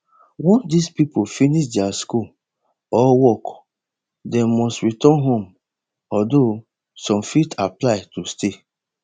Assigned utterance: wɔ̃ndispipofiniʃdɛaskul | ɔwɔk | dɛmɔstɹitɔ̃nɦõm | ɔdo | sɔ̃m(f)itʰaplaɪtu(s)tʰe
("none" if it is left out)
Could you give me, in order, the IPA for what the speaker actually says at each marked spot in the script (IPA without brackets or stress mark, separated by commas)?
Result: f, s